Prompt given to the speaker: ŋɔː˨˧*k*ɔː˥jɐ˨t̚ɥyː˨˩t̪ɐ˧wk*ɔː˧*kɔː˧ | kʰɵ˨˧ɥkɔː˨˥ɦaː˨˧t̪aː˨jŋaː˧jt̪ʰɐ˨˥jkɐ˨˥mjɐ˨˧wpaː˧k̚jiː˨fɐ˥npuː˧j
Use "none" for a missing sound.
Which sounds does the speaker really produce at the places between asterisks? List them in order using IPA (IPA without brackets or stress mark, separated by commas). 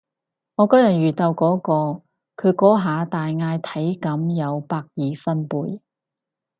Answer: k, ɔː˨˥